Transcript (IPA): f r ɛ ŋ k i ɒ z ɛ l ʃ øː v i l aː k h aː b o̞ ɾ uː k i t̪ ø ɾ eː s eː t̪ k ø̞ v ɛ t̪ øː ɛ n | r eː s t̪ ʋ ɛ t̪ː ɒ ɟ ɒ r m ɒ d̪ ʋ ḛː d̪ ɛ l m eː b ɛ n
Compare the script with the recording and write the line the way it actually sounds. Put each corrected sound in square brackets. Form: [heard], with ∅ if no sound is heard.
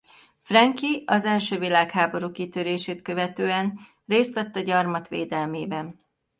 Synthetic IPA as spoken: f r ɛ ŋ k i ɒ z ɛ l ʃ øː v i l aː k h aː b o̞ ɾ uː k i t̪ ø ɾ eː [ʃ] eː t̪ k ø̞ v ɛ t̪ øː ɛ n | r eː s t̪ ʋ ɛ t̪ː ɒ ɟ ɒ r m ɒ [t̪] ʋ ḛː d̪ ɛ l m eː b ɛ n